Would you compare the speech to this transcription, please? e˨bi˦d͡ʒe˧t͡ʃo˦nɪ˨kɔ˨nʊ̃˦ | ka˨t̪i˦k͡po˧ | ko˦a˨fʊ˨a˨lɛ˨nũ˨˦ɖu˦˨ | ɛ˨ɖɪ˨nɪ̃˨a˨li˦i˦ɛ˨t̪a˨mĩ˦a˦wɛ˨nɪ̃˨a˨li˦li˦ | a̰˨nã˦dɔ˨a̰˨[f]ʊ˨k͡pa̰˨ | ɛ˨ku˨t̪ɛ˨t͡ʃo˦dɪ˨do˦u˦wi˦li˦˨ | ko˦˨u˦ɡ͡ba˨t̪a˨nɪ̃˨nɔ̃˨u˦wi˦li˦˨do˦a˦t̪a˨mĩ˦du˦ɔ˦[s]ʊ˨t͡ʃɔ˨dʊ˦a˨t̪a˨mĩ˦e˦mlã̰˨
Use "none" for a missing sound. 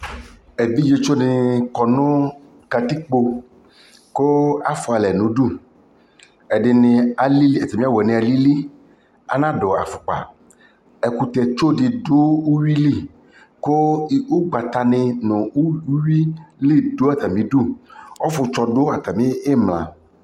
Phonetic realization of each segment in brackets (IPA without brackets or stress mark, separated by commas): f, f